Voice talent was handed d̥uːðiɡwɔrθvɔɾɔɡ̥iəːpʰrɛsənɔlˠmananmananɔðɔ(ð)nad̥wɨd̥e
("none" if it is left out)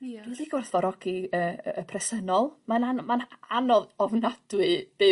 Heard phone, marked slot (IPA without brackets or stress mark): v